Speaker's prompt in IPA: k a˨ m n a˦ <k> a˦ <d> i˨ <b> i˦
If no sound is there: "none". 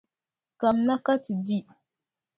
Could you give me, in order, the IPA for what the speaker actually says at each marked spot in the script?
k, t, d

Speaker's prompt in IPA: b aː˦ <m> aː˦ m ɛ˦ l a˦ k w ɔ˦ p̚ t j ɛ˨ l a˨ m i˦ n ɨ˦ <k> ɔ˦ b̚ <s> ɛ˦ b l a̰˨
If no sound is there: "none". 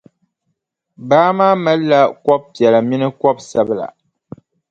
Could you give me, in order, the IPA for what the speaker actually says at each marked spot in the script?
m, k, s

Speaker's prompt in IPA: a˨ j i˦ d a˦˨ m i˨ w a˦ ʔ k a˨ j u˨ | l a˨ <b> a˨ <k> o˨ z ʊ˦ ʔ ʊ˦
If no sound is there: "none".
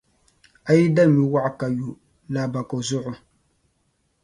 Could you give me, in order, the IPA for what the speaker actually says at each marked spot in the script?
b, k

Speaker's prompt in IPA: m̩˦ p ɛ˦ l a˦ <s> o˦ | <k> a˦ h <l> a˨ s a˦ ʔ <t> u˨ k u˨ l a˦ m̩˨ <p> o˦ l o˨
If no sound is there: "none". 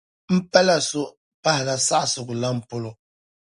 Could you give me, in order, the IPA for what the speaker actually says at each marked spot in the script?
s, p, l, s, p

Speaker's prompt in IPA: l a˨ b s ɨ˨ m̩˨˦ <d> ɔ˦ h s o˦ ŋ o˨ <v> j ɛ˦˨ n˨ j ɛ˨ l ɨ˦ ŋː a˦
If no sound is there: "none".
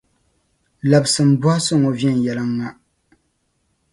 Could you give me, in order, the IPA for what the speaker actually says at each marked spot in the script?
b, v

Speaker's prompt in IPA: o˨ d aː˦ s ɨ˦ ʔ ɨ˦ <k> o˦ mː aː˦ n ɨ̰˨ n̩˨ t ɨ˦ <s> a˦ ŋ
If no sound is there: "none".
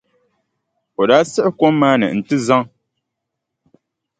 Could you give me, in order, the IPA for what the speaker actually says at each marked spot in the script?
k, z

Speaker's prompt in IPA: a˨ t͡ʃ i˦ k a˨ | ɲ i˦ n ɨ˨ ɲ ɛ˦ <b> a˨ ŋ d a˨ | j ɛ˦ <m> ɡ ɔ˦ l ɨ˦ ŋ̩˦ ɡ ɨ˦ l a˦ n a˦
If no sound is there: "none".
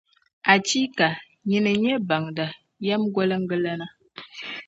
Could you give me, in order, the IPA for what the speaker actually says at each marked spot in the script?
b, m

